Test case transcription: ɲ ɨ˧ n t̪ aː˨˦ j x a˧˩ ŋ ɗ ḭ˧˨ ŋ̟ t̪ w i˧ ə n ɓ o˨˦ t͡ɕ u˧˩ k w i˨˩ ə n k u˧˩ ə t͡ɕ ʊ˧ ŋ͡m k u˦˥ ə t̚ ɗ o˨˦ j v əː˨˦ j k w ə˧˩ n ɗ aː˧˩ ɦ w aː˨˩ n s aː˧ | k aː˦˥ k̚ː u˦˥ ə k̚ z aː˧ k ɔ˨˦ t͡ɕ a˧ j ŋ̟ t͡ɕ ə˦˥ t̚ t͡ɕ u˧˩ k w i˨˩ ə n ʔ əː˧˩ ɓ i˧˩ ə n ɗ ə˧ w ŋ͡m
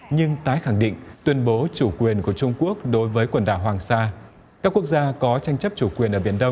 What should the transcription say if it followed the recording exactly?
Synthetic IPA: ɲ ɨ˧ ŋ t̪ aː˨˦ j x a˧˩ ŋ ɗ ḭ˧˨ ŋ̟ t̪ w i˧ ə n ɓ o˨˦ t͡ɕ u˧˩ k w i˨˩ ə n k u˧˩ ə t͡ɕ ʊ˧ ŋ͡m k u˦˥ ə k̚ ɗ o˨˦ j v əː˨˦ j k w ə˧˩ n ɗ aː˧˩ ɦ w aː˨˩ ŋ s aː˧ | k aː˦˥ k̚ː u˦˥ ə k̚ z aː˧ k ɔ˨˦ t͡ɕ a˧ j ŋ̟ t͡ɕ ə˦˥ p̚ t͡ɕ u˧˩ k w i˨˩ ə n ʔ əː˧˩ ɓ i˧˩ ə n ɗ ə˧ w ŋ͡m